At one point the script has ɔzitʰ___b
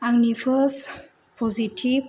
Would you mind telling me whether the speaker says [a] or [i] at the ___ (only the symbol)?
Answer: i